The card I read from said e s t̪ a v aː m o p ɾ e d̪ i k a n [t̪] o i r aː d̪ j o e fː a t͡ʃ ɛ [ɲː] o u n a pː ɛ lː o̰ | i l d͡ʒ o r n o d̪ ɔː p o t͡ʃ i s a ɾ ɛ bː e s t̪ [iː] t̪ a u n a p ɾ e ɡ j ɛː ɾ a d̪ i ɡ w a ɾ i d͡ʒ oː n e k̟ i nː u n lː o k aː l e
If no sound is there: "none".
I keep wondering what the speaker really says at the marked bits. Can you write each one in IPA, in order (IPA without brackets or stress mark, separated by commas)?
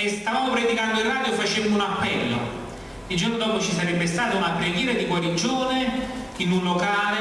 d̪, mː, aː